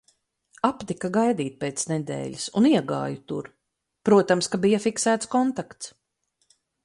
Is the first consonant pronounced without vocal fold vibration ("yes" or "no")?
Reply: yes